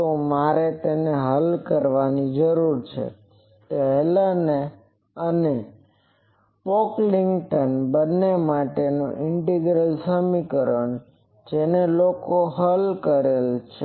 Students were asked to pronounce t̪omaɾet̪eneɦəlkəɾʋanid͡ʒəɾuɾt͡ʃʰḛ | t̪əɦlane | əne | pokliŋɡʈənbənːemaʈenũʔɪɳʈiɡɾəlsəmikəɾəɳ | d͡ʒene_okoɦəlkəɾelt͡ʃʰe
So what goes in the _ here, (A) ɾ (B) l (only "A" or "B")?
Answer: B